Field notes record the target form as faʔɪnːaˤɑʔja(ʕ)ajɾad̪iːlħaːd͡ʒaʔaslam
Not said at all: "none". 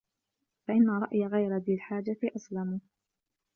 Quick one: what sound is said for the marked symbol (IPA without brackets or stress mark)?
ɣ